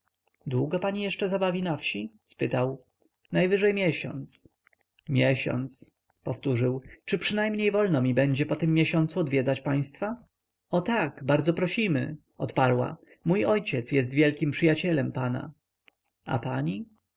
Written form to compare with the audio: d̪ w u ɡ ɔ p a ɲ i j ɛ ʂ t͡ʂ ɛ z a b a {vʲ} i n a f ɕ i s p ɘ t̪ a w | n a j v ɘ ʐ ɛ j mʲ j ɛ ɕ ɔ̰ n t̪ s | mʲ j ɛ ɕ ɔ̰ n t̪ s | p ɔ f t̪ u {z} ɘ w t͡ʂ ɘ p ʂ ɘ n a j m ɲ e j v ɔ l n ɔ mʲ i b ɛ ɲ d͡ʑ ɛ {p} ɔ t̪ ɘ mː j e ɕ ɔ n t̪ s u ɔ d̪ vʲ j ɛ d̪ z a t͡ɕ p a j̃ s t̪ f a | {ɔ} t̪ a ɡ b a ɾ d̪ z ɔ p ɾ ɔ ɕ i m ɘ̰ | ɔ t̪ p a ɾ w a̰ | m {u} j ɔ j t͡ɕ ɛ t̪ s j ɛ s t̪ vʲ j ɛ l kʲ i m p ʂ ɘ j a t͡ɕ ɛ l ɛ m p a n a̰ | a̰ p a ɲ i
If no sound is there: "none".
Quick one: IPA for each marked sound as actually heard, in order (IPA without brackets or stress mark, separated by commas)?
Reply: vʲ, ʐ, p, ɔ, u